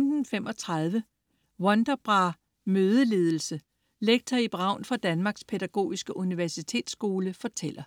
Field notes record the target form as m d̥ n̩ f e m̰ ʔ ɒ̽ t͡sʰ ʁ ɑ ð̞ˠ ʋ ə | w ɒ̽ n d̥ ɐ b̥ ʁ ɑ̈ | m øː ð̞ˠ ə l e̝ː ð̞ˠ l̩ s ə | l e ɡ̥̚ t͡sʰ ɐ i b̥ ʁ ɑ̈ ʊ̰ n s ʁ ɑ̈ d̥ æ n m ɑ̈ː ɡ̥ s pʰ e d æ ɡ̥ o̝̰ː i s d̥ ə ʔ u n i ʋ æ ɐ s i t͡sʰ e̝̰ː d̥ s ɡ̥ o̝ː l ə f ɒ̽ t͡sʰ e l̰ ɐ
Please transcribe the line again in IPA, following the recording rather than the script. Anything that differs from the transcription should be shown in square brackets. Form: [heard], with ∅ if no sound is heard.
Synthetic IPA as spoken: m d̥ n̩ f e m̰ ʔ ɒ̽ t͡sʰ ʁ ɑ ð̞ˠ ʋ ə | w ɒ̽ n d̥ ɐ b̥ ʁ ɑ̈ | m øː ð̞ˠ ə l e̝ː ð̞ˠ l̩ s ə | l e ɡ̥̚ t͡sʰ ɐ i b̥ ʁ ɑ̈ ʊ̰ n [f] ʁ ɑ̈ d̥ æ n m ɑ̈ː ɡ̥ s pʰ e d æ ɡ̥ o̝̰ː i s [ɡ̥] ə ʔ u n i ʋ æ ɐ s i t͡sʰ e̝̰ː d̥ s ɡ̥ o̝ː l ə f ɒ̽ t͡sʰ e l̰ ɐ